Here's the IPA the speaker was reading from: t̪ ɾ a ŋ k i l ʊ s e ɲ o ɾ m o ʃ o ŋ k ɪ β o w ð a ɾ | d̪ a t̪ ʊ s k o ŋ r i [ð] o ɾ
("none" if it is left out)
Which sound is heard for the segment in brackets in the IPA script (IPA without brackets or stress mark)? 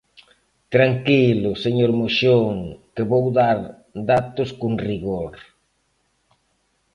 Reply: ɣ